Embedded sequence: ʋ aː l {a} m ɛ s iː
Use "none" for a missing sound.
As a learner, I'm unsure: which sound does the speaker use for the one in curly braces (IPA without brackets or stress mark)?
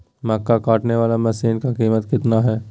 a